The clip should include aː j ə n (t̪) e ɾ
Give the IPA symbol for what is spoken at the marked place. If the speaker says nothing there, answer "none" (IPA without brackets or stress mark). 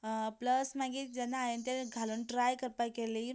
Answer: t̪